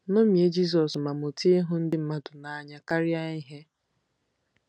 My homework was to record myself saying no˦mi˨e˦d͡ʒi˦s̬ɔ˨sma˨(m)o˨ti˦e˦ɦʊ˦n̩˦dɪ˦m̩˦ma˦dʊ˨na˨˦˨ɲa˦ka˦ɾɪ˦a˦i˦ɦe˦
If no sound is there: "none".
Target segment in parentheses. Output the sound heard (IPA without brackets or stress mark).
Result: m